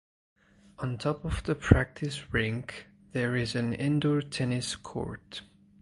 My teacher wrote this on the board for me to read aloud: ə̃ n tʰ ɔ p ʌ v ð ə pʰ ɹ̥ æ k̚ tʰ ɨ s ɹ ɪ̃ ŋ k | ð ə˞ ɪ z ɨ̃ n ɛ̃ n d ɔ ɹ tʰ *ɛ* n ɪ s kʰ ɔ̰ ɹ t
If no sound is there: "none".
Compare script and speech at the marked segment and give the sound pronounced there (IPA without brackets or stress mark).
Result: ɛ